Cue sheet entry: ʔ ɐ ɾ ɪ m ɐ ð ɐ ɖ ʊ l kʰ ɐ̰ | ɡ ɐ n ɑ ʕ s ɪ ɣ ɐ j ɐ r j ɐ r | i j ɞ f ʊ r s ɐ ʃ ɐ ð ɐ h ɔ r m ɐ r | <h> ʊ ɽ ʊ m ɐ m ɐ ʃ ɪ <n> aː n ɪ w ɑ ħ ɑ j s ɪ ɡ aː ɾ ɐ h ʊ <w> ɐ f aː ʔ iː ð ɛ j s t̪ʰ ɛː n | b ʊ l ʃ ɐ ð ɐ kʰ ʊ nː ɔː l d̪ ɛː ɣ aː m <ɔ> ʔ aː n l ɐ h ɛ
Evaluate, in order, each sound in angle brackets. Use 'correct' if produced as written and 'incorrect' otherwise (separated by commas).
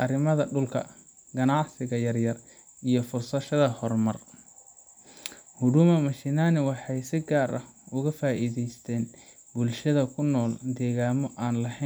correct, correct, incorrect, correct